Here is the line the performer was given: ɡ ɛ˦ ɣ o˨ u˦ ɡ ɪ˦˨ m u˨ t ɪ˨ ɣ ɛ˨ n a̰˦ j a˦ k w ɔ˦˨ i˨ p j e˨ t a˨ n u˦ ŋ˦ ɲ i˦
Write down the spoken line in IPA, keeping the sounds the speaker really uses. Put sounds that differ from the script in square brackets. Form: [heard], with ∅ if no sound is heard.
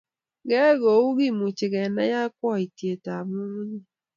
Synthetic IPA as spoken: ɡ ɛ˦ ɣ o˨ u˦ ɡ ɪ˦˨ m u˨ [t͡ʃ] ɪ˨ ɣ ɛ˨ n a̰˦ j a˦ k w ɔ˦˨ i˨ [t] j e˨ t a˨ [m] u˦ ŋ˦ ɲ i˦